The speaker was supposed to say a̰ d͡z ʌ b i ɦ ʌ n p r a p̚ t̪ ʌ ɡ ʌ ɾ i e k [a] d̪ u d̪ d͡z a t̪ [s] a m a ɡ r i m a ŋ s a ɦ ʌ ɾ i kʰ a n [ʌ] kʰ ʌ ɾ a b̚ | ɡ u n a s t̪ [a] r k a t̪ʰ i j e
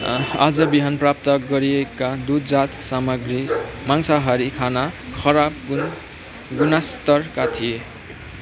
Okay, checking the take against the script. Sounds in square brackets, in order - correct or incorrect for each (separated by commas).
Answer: correct, correct, incorrect, incorrect